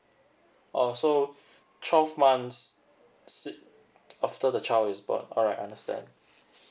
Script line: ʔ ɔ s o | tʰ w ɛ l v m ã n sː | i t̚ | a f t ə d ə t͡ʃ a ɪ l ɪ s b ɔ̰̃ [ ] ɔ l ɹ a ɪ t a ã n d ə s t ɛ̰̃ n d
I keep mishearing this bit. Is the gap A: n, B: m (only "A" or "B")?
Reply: A